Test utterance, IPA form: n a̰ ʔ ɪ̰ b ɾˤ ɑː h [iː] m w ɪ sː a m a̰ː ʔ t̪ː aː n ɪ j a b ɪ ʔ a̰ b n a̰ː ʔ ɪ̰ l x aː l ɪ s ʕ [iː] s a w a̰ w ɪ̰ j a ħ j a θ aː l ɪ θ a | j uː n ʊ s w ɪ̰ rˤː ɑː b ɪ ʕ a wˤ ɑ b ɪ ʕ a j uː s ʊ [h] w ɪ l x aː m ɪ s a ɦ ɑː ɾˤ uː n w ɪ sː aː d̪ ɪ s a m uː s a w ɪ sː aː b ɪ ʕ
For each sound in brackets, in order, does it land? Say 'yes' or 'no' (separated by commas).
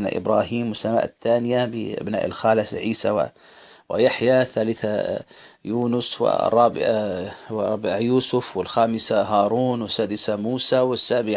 yes, yes, no